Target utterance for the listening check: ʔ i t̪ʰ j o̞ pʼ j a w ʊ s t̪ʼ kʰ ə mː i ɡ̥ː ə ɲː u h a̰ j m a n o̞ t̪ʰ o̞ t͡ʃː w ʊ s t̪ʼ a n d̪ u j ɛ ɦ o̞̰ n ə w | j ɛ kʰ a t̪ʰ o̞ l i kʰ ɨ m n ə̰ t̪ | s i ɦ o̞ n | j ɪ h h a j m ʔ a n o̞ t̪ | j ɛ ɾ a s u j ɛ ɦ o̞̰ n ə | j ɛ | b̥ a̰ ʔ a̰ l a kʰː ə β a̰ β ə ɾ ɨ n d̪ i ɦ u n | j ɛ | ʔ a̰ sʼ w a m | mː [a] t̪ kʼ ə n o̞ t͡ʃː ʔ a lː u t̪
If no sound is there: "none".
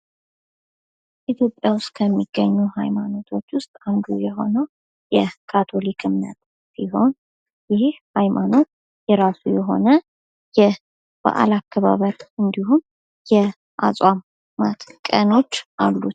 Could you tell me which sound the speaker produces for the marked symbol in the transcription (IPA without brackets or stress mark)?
a